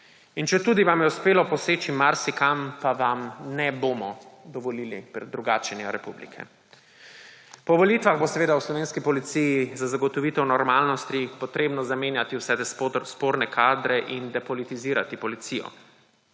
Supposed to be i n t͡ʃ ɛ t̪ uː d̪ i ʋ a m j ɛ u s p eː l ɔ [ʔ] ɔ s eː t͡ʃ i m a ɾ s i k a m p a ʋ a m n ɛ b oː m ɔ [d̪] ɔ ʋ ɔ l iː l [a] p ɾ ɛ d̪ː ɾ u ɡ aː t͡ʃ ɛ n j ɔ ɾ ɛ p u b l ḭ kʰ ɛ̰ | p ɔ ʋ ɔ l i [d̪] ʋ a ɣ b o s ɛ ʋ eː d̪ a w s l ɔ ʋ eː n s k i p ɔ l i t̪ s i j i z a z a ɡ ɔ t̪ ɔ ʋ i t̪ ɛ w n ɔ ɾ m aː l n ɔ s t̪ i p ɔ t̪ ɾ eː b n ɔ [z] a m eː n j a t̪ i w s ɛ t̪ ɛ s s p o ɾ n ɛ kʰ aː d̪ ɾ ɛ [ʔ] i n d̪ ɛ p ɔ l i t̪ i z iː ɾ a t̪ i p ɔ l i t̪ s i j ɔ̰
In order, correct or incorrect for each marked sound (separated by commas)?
incorrect, correct, incorrect, incorrect, correct, correct